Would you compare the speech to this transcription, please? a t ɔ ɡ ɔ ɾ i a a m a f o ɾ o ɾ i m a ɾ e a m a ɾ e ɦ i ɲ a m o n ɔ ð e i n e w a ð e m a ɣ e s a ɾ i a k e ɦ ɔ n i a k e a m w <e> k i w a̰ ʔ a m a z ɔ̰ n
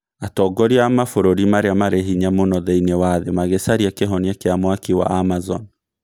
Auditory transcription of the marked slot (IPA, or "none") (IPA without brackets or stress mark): a